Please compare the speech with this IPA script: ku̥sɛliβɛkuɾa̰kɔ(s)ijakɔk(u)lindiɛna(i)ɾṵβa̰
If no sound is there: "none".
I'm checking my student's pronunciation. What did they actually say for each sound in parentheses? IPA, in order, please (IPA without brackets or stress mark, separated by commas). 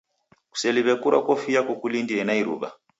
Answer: f, u, i